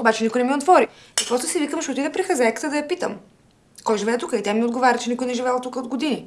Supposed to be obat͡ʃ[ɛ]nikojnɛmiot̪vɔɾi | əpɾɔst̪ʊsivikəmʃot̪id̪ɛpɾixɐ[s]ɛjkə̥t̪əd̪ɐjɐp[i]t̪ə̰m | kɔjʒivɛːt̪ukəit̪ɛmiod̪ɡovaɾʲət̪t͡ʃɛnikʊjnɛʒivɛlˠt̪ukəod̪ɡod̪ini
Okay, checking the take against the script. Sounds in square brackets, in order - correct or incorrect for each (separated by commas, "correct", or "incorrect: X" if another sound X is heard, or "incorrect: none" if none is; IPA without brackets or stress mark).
correct, incorrect: z, correct